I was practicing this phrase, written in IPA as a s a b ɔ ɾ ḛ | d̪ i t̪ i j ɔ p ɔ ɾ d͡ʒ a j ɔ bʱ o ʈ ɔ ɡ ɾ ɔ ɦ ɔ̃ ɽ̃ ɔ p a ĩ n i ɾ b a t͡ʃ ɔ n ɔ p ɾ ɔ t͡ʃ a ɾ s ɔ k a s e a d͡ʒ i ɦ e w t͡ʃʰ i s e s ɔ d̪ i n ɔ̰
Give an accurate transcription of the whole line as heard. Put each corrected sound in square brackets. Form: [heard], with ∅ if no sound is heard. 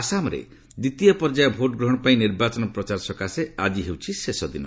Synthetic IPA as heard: a s a [m] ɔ ɾ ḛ | d̪ i t̪ i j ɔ p ɔ ɾ d͡ʒ a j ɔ bʱ o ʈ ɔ ɡ ɾ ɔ ɦ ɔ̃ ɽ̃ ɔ p a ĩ n i ɾ b a t͡ʃ ɔ n ɔ p ɾ ɔ t͡ʃ a ɾ s ɔ k a s e a d͡ʒ i ɦ e w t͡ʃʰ i s e s ɔ d̪ i n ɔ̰